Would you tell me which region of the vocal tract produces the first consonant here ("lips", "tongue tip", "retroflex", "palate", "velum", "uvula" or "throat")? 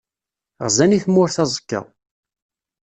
uvula